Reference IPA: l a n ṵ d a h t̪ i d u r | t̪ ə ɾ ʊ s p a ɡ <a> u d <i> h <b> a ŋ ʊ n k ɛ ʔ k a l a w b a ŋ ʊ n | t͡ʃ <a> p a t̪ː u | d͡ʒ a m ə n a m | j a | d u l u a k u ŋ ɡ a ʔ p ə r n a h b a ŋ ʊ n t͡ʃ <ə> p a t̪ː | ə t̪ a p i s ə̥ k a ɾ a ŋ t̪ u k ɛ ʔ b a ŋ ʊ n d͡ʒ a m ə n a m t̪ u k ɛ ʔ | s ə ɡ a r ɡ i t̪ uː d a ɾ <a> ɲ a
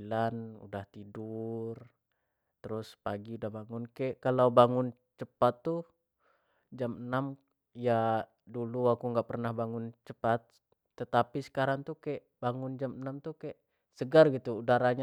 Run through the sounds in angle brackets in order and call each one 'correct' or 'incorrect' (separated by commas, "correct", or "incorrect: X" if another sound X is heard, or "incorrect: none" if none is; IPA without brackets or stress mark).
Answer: incorrect: i, incorrect: a, correct, incorrect: ə, correct, correct